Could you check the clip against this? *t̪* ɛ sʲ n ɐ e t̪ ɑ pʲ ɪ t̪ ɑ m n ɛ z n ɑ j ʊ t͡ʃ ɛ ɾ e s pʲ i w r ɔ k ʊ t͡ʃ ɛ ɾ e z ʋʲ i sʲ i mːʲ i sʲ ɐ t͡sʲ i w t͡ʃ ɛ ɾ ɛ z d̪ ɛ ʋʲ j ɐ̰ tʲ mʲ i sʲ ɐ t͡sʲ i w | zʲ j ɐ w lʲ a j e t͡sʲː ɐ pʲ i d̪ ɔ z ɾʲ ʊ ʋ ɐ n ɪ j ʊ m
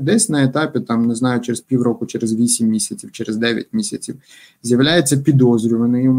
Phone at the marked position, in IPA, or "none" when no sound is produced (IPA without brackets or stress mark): d̪